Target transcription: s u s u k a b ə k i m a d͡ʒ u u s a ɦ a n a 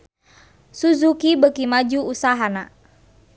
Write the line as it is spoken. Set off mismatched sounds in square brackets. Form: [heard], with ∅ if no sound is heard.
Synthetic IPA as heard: s u [z] u k [i] b ə k i m a d͡ʒ u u s a ɦ a n a